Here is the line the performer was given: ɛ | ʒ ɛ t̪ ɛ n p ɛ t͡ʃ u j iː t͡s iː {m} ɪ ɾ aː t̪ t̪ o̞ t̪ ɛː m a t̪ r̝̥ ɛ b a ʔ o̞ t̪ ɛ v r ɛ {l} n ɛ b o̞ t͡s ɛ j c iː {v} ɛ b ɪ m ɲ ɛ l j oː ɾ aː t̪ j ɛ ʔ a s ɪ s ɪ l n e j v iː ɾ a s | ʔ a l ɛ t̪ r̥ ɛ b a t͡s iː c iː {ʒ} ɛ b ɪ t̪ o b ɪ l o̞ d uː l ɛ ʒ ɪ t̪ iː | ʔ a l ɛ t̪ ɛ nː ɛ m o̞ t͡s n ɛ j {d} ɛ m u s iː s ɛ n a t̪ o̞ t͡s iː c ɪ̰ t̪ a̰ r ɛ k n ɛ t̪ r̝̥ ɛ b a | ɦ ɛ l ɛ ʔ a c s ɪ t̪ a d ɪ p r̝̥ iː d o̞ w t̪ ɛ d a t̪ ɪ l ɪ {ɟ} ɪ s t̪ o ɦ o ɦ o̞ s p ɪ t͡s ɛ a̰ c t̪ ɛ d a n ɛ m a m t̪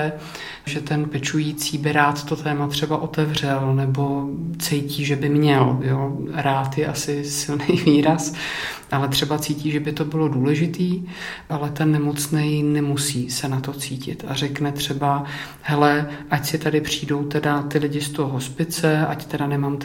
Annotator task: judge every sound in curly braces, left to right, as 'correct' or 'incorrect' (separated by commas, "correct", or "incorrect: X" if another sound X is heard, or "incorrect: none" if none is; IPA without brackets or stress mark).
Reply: incorrect: b, correct, incorrect: ʒ, correct, incorrect: n, correct